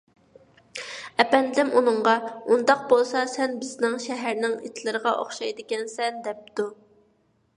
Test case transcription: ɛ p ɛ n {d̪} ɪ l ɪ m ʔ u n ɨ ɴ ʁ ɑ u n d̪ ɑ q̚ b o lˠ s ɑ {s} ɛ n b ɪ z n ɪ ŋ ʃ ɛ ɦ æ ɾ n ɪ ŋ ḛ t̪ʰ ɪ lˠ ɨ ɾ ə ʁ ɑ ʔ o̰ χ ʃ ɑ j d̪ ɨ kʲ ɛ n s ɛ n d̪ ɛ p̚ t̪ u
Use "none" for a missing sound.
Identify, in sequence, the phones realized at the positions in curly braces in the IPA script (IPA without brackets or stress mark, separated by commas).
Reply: d̪, s